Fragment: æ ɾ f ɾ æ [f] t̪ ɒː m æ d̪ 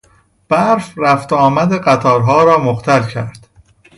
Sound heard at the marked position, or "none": f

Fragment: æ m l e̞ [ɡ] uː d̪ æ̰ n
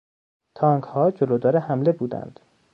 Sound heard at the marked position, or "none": b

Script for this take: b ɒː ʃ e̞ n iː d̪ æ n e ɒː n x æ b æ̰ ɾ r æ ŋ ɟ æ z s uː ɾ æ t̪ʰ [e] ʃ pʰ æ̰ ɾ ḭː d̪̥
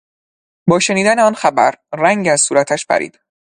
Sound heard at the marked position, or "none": æ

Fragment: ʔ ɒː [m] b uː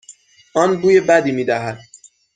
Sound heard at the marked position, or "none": n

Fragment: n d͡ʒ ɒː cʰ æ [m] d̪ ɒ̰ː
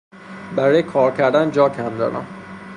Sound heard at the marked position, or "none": m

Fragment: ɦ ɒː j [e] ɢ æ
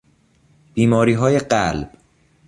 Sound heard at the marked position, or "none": e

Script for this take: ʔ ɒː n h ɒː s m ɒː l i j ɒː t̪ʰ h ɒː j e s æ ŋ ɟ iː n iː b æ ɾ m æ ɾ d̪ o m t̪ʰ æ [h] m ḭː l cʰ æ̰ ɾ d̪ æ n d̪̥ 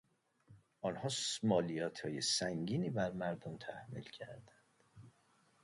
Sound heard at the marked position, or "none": h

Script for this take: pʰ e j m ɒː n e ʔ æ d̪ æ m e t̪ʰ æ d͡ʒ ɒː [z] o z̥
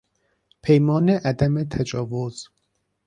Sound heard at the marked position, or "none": v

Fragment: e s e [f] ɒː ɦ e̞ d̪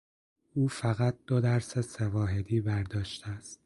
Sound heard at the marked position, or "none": v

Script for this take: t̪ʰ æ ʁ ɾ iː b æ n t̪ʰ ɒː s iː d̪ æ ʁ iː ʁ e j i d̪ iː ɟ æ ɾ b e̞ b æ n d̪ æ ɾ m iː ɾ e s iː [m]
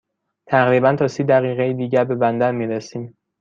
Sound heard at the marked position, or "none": m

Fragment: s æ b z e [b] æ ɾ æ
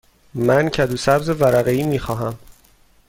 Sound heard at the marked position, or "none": v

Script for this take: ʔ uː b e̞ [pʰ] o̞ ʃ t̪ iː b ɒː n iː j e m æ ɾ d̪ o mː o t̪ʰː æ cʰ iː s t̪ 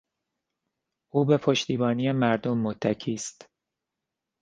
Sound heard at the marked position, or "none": pʰ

